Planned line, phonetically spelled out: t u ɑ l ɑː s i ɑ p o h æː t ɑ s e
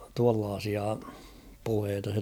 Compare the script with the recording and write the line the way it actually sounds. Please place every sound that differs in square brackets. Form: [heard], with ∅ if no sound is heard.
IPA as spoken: t u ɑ [lː] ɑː s i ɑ p [u] h [eː] t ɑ s e